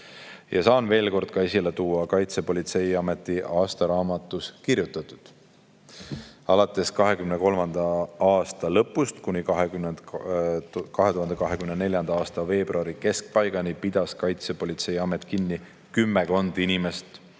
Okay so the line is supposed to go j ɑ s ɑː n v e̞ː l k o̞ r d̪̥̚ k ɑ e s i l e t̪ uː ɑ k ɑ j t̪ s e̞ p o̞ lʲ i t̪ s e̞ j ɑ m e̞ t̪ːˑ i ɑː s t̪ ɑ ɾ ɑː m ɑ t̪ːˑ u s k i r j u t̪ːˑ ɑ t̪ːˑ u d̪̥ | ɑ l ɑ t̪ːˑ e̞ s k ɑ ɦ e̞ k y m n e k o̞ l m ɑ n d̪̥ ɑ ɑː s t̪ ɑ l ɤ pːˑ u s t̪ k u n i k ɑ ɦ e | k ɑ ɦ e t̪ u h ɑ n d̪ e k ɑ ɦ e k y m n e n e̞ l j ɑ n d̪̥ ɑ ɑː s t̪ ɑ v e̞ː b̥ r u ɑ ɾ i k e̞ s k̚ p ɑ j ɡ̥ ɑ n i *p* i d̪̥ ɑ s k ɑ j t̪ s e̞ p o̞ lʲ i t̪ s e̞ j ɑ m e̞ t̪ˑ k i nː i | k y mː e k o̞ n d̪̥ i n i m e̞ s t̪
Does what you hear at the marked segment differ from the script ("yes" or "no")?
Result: no